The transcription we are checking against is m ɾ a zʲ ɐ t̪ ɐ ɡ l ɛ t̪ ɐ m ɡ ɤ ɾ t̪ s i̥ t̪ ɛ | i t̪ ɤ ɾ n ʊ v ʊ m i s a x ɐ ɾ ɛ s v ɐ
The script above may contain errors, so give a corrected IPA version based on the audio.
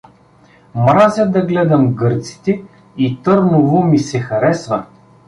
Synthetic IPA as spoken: m ɾ a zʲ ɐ d̪ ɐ ɡ l ɛ d̪ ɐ m ɡ ɤ ɾ t̪ s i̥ t̪ ɛ | i t̪ ɤ ɾ n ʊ v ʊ m i s ɛ x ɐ ɾ ɛ s v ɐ